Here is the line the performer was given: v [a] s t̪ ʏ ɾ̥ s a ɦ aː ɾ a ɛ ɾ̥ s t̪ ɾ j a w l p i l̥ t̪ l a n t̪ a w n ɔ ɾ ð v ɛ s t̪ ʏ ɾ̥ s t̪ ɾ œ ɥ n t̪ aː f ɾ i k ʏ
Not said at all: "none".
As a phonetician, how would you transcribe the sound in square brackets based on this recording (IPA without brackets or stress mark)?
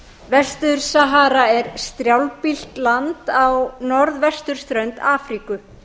ɛ